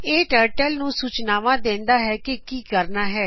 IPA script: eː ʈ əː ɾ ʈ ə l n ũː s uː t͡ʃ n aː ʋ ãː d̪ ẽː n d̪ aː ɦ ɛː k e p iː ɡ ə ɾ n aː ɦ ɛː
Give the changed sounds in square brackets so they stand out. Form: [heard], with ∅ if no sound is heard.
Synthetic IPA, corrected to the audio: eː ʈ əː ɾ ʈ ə l n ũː s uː t͡ʃ n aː ʋ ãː d̪ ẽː n d̪ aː ɦ ɛː k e [k] iː [k] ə ɾ n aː ɦ ɛː

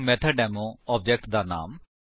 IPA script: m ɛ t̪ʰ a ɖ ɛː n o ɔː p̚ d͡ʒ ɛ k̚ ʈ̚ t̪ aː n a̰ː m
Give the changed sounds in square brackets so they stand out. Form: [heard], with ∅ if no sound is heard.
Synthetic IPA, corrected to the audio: m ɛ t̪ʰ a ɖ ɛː [m] o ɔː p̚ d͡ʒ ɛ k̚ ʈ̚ [d̪] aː n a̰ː m

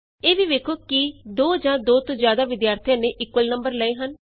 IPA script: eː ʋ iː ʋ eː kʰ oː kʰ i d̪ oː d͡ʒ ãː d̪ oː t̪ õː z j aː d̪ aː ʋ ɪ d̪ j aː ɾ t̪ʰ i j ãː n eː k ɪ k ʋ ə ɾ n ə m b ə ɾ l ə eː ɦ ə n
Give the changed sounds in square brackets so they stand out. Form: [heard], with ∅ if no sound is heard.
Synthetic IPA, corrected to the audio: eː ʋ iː ʋ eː kʰ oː [k] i d̪ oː d͡ʒ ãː d̪ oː t̪ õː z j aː d̪ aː ʋ ɪ d̪ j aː ɾ t̪ʰ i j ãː n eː [ʔ] ɪ k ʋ ə [l] n ə m b ə ɾ l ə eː ɦ ə n

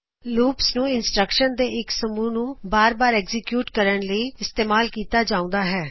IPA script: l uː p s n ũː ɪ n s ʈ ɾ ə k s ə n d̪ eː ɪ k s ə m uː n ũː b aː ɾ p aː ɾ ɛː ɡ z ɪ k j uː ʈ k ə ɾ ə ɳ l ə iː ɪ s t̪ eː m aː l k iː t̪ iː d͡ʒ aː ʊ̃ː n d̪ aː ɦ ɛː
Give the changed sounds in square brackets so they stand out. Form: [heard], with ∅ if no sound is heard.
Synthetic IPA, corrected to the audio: l uː p s n ũː ɪ n s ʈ ɾ ə k [ʃ] ə n d̪ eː ɪ k s ə m uː n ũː b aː ɾ [b] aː ɾ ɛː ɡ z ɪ k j uː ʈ k ə ɾ ə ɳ l ə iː ɪ s t̪ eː m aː l k iː t̪ [aː] d͡ʒ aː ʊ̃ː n d̪ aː ɦ ɛː

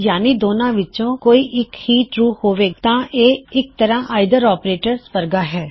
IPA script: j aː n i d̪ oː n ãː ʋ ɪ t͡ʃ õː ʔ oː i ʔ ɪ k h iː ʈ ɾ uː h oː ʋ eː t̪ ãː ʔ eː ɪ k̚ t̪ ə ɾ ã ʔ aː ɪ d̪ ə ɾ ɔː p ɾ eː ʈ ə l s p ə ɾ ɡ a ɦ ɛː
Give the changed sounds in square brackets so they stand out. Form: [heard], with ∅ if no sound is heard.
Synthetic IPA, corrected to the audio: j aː n i d̪ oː n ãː ʋ ɪ t͡ʃ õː [k] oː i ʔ ɪ k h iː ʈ ɾ uː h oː ʋ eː t̪ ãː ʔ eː ɪ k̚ t̪ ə ɾ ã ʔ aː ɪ d̪ ə ɾ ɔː p ɾ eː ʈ ə [ɾ] s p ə ɾ ɡ a ɦ ɛː

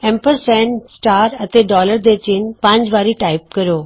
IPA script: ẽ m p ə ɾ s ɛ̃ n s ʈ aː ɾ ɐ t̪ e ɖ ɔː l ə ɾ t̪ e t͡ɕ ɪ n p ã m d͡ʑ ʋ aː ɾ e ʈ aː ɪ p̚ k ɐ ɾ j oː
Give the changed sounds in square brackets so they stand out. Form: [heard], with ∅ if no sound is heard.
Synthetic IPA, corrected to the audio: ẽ m p ə ɾ s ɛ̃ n s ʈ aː ɾ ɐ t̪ e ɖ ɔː l ə ɾ [d̪] e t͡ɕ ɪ n p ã [ɲ] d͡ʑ ʋ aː ɾ [i] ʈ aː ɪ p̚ k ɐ ɾ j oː

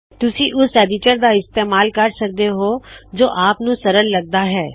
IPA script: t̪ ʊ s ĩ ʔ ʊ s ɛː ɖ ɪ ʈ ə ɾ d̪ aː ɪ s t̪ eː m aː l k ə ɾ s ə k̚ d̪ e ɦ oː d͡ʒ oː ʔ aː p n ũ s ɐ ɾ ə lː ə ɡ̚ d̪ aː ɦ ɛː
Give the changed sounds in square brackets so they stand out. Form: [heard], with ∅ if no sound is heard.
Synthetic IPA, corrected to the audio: t̪ ʊ s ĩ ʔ ʊ s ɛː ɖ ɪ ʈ ə ɾ d̪ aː ɪ s t̪ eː m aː l k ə ɾ s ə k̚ d̪ e ɦ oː d͡ʒ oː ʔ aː p n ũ s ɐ ɾ ə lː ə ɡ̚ d̪ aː ɦ ɛː

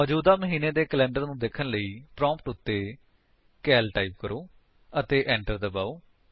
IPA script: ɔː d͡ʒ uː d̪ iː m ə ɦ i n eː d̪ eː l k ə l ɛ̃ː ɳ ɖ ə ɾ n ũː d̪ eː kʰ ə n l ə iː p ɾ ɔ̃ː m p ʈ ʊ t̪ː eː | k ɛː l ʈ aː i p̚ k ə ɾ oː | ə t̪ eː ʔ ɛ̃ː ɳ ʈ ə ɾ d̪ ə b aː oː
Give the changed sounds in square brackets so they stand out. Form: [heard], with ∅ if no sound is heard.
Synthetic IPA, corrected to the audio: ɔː d͡ʒ uː d̪ [aː] m ə ɦ [iː] n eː d̪ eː [∅] k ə l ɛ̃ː ɳ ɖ ə ɾ n ũː d̪ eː kʰ ə n l ə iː p ɾ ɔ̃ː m p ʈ ʊ t̪ː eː | k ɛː l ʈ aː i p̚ k ə ɾ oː | ə t̪ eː ʔ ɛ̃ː ɳ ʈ ə ɾ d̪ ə b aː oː

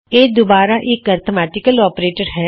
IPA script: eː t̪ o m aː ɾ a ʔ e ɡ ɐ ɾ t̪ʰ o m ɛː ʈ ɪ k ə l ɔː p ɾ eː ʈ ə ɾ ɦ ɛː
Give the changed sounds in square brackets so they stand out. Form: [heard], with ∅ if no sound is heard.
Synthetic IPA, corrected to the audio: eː [d̪] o [b] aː ɾ a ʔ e [k] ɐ ɾ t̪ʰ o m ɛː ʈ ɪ k ə l ɔː p ɾ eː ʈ ə ɾ ɦ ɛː

